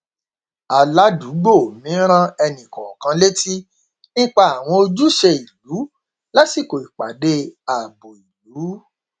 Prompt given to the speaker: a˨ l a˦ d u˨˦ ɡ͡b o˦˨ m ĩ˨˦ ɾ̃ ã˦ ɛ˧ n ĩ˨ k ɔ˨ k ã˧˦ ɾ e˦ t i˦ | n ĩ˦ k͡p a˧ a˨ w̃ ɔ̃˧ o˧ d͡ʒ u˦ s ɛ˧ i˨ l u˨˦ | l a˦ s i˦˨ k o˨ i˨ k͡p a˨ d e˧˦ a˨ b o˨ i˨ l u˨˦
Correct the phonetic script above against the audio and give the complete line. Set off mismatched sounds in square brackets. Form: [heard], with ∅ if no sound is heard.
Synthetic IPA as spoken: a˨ l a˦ d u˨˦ ɡ͡b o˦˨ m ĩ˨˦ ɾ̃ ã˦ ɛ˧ n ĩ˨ k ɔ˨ k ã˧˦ [l] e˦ t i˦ | n ĩ˦ k͡p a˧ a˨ w̃ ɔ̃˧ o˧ d͡ʒ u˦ [ʃ] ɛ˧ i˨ l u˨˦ | l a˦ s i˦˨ k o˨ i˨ k͡p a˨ d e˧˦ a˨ b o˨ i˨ l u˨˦